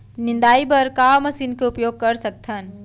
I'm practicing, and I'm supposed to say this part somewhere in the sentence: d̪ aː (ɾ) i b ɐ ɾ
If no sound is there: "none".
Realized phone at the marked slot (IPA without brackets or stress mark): none